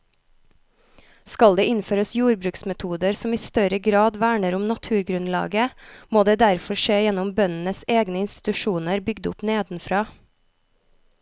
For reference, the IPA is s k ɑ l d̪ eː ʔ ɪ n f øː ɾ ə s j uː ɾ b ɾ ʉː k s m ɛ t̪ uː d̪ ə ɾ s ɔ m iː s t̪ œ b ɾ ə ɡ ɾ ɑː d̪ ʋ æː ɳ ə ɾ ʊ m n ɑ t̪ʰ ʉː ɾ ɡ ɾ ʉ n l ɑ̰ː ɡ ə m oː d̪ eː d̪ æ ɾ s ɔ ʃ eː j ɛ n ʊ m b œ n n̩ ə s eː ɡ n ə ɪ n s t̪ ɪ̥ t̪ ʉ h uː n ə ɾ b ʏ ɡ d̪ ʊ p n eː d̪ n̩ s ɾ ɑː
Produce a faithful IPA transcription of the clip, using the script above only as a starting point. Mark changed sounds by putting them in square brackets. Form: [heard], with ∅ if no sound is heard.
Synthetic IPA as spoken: s k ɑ l d̪ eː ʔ ɪ n f øː ɾ ə s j uː ɾ b ɾ ʉː k s m ɛ [t̪ʰ] uː d̪ ə ɾ s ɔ m iː s t̪ œ [∅] ɾ ə ɡ ɾ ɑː d̪ ʋ æː ɳ ə ɾ ʊ m n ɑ t̪ʰ ʉː ɾ ɡ ɾ ʉ n l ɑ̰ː ɡ ə m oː d̪ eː d̪ æ ɾ [f] ɔ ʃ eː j ɛ n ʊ m b œ n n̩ ə s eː ɡ n ə ɪ n s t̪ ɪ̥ t̪ ʉ [ʃ] uː n ə ɾ b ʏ ɡ d̪ ʊ p n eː d̪ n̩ [f] ɾ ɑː